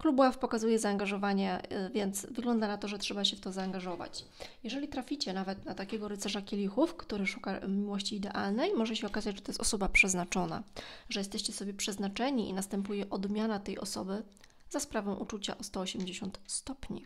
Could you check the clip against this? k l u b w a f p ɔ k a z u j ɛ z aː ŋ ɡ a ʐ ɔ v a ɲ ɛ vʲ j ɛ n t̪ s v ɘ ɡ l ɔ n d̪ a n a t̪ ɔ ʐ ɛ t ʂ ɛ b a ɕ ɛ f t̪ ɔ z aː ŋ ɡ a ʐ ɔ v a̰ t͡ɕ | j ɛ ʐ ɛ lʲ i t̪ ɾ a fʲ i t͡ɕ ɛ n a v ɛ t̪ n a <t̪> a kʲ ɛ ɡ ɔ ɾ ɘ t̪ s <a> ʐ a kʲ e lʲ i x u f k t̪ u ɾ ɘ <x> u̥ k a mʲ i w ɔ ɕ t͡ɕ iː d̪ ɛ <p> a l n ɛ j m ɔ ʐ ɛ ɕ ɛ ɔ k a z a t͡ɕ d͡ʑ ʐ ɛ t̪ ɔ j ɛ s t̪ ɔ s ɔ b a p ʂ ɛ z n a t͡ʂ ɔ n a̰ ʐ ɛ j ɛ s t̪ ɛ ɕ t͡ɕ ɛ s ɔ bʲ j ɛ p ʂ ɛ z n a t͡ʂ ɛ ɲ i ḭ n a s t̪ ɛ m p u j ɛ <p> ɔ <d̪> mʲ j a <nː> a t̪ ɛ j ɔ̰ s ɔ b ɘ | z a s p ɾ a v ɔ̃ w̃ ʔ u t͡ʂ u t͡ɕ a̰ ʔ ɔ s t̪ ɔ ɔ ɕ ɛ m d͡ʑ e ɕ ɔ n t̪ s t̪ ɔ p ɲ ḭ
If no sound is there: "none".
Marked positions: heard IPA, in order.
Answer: t̪, ɛ, ʂ, ʔ, ʔ, d̪, n

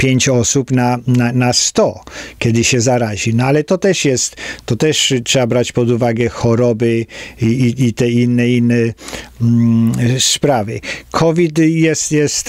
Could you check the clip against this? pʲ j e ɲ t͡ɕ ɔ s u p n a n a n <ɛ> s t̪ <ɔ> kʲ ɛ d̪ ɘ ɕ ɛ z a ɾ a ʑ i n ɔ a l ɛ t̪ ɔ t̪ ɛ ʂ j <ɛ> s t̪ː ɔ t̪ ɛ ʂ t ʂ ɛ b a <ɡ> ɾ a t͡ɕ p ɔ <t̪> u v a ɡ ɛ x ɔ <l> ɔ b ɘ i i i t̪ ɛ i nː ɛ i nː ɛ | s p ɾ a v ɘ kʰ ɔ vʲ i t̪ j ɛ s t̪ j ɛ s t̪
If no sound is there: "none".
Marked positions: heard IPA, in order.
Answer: a, ɔ, ɛ, b, d̪, ɾ

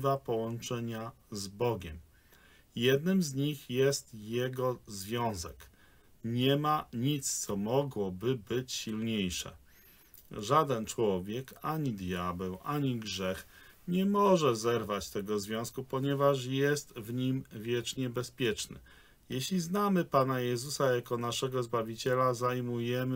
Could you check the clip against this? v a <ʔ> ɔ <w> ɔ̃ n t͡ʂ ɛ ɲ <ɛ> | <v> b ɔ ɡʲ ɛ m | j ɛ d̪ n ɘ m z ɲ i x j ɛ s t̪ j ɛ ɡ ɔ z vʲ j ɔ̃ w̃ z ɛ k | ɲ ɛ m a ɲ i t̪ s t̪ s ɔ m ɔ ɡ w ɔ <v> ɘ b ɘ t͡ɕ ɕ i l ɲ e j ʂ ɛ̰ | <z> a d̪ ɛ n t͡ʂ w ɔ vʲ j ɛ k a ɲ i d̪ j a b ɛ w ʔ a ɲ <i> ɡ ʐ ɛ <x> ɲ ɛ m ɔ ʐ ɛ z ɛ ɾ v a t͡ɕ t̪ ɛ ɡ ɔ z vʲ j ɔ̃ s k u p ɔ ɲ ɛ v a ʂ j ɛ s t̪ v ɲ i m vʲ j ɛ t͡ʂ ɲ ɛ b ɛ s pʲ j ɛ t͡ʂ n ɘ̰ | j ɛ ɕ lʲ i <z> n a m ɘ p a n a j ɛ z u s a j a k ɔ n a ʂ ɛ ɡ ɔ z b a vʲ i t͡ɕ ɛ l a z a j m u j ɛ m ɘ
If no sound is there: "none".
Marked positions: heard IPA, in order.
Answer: p, w, a, z, b, ʐ, i, x, z

